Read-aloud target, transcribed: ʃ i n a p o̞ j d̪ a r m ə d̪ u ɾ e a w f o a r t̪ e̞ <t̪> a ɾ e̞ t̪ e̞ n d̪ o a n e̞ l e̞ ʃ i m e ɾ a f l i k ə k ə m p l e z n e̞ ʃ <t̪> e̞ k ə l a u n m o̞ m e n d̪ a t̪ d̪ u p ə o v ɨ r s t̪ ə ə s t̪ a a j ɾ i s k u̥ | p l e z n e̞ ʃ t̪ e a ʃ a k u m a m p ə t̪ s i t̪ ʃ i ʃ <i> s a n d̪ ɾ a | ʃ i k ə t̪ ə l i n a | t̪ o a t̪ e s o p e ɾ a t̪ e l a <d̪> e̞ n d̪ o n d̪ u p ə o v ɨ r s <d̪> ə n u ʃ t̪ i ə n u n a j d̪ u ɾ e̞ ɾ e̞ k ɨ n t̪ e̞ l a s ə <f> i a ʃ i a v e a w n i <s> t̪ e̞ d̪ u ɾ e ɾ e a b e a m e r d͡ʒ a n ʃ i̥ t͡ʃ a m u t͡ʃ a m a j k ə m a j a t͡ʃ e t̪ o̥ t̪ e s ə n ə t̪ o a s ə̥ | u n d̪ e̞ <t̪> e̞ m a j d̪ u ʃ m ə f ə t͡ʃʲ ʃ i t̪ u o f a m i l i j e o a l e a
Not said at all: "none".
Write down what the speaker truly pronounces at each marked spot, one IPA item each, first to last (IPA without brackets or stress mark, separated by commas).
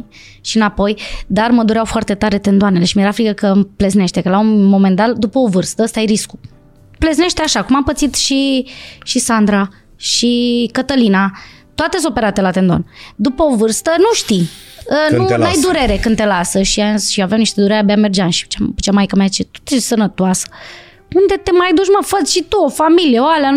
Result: t̪, t̪, i, t̪, t̪, ʃ, ʃ, t̪